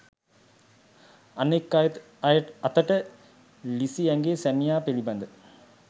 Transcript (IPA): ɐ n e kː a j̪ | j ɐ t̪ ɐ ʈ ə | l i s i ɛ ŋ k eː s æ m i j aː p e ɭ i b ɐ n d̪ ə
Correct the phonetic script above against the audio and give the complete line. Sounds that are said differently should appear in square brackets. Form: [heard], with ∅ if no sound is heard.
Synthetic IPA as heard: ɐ n e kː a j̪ | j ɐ t̪ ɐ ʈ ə | l i s i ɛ ŋ [ɡ] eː s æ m i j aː p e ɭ i b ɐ n d̪ ə